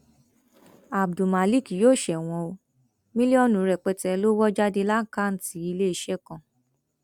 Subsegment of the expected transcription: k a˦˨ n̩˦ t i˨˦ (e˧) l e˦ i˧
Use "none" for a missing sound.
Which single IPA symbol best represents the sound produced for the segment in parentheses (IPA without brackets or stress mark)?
i˧